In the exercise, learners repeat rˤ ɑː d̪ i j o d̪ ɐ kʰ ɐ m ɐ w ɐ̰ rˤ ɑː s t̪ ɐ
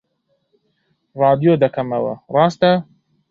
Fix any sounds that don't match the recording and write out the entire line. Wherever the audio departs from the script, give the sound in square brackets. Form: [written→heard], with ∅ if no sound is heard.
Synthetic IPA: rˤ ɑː d̪ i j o d̪ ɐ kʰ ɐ m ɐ w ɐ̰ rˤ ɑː s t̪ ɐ